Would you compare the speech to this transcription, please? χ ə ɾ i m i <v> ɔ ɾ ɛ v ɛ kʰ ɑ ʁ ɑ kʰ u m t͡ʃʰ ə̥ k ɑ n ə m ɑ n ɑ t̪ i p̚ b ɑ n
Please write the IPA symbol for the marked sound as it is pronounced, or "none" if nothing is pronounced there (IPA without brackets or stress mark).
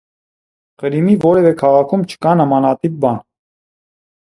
v